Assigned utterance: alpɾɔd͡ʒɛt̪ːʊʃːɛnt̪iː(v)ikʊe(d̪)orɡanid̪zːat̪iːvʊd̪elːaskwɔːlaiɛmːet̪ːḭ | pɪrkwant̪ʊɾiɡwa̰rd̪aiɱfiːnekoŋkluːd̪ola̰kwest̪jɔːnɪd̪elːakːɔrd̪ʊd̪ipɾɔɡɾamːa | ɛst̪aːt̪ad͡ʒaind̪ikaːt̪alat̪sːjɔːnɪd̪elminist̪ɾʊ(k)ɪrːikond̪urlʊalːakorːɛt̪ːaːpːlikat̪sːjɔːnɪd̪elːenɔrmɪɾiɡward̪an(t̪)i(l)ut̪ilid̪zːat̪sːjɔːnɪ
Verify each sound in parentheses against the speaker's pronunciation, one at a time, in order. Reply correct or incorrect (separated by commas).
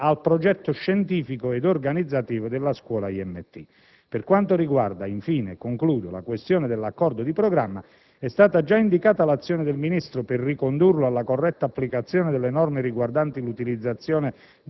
incorrect, correct, incorrect, correct, correct